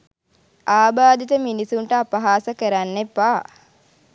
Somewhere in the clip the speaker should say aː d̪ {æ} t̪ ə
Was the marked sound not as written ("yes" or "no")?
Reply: yes